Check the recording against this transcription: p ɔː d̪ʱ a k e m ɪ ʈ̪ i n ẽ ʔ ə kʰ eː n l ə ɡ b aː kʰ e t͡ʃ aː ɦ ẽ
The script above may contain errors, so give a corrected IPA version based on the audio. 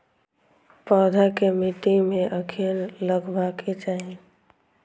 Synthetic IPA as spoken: p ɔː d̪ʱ a k e m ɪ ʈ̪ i m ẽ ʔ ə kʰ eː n l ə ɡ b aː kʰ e t͡ʃ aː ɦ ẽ